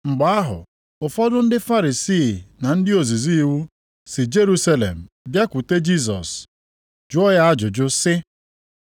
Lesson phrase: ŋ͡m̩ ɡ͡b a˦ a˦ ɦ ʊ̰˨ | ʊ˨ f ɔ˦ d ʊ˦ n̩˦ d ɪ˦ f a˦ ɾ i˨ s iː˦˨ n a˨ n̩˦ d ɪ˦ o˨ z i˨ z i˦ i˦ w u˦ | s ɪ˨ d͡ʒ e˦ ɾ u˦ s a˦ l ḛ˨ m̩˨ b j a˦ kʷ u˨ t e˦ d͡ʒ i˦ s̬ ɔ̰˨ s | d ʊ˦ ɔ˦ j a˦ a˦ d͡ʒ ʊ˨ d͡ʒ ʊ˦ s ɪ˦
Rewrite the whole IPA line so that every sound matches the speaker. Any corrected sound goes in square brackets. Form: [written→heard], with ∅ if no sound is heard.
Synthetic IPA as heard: ŋ͡m̩ ɡ͡b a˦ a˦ ɦ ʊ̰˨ | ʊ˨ f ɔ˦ d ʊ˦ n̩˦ d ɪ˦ f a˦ ɾ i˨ s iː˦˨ n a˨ n̩˦ d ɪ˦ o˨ z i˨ z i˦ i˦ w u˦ | s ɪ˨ d͡ʒ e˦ ɾ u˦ s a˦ l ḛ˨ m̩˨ b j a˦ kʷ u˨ t e˦ d͡ʒ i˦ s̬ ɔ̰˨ s | [d→d͡ʒ] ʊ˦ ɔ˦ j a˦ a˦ d͡ʒ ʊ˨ d͡ʒ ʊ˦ s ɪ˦